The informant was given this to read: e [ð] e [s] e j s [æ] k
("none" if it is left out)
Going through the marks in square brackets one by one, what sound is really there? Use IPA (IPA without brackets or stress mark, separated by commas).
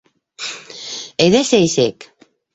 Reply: ð, s, e